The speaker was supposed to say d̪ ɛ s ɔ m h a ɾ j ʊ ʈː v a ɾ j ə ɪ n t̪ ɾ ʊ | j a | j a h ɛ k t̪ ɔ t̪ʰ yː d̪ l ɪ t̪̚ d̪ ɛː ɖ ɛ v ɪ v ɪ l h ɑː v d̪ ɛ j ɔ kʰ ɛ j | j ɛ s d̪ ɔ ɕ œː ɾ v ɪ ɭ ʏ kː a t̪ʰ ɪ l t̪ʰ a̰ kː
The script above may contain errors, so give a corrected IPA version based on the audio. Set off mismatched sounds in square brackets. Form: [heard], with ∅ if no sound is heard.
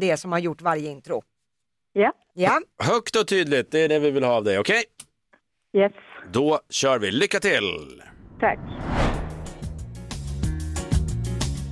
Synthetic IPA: d̪ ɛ s ɔ m h a ɾ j ʊ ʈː v a ɾ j ə ɪ n t̪ ɾ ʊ | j a | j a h [œ] k t̪ ɔ t̪ʰ yː d̪ l ɪ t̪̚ d̪ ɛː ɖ ɛ v ɪ v ɪ l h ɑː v d̪ ɛ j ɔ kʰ ɛ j | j ɛ s d̪ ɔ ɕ œː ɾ v ɪ [l] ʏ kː a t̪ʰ ɪ l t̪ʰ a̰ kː